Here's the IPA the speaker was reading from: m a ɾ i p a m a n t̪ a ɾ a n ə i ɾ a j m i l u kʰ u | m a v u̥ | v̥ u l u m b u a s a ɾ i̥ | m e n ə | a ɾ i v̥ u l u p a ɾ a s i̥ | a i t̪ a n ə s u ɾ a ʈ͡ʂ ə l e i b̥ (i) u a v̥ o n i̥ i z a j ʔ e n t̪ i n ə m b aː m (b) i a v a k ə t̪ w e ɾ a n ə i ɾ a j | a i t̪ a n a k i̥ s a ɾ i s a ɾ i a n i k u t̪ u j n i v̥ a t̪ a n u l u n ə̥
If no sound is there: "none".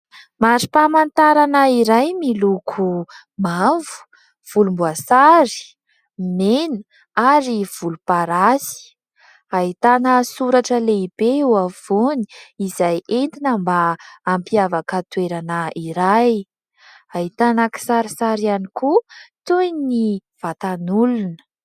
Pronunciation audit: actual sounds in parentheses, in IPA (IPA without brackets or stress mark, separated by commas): e, p